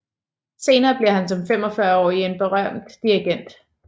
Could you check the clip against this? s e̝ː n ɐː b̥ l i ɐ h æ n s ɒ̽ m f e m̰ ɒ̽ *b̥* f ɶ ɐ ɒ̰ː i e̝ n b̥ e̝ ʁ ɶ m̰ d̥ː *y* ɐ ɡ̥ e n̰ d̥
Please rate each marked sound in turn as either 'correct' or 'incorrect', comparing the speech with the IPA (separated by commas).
incorrect, incorrect